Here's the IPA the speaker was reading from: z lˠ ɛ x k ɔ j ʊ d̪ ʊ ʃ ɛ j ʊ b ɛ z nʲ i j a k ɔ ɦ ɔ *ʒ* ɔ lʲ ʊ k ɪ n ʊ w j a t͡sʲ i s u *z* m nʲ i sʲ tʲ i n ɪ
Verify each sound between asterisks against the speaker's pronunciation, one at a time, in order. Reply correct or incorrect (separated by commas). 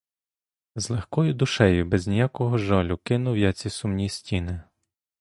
correct, incorrect